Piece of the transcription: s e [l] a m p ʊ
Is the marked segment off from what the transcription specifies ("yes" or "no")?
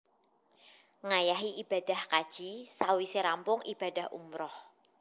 yes